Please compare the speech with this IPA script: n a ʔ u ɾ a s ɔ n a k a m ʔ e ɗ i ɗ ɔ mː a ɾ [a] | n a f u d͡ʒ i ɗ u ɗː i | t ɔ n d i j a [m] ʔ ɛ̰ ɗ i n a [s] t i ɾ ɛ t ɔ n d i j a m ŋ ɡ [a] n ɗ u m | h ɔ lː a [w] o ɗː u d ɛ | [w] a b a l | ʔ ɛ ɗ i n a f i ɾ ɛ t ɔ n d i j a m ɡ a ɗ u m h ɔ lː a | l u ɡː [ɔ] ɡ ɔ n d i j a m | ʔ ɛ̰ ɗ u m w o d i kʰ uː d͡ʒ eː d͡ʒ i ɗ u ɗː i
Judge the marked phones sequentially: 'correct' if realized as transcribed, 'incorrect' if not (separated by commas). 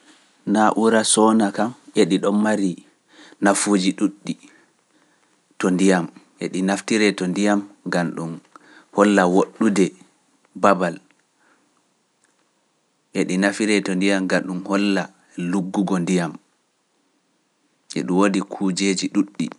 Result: incorrect, correct, incorrect, correct, correct, incorrect, incorrect